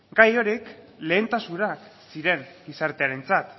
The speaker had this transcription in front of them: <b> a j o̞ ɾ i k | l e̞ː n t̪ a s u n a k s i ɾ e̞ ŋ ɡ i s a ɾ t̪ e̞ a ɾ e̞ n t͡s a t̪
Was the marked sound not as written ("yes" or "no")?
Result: yes